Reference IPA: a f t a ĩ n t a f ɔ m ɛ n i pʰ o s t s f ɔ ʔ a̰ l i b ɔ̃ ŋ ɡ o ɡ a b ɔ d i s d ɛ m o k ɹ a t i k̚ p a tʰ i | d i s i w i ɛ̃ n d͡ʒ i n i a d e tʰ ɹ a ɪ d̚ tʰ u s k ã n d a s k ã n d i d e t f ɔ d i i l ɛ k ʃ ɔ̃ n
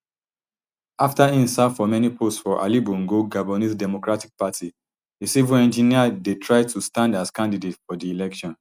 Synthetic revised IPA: a f t a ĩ n s a f ɔ m ɛ n i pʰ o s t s f ɔ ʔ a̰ l i b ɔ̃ ŋ ɡ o ɡ a b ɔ n i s d ɛ m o k ɹ a t i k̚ p a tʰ i | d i s i v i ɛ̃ n d͡ʒ i n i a d e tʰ ɹ a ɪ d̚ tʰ u s t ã n d a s k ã n d i d e t f ɔ d i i l ɛ k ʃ ɔ̃ n